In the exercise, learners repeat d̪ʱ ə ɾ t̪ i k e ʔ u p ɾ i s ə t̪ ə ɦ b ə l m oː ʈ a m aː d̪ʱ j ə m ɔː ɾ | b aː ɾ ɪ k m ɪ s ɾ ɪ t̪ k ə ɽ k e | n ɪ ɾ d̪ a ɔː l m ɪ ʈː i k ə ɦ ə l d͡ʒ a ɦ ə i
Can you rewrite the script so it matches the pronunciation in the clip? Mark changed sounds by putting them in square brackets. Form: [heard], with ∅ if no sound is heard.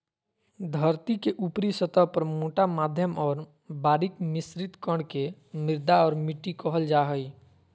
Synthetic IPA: d̪ʱ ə ɾ t̪ i k e ʔ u p ɾ i s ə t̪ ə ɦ [p] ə [ɾ] m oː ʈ a m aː d̪ʱ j ə m ɔː ɾ | b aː ɾ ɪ k m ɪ s ɾ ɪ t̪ k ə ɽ k e | [m] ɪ ɾ d̪ a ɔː [ɾ] m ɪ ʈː i k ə ɦ ə l d͡ʒ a ɦ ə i